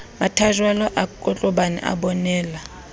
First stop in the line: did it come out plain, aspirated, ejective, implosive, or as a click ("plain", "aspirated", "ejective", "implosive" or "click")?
aspirated